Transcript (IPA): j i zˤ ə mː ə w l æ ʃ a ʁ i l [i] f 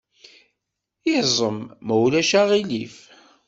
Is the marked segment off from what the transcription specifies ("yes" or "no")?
no